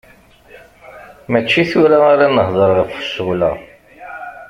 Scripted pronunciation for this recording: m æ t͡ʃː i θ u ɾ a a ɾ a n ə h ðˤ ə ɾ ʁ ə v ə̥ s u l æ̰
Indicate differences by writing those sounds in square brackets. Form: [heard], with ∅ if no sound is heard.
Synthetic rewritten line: m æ t͡ʃː i θ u ɾ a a ɾ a n ə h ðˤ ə ɾ ʁ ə [f] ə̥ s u l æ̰